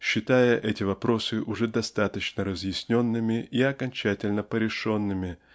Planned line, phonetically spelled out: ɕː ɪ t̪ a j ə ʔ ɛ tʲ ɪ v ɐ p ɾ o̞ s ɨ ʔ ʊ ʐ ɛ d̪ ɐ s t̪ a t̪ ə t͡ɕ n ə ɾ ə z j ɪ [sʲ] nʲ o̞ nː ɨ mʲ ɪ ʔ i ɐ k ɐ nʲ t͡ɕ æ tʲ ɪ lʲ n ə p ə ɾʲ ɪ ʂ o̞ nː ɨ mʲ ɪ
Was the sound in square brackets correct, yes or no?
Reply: yes